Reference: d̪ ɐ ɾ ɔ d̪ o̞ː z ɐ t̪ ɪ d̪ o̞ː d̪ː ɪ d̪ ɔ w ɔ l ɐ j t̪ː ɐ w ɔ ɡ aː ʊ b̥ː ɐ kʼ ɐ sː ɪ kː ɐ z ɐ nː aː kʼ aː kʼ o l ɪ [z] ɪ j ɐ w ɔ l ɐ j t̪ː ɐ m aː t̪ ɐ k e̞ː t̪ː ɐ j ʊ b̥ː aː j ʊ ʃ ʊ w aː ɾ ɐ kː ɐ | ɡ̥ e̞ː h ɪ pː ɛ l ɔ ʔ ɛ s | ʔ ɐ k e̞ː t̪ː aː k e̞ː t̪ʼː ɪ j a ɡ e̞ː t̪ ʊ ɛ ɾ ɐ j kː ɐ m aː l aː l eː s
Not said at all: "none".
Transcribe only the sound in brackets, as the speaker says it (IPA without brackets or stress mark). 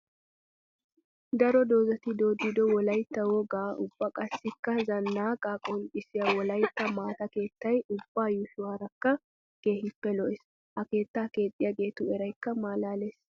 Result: s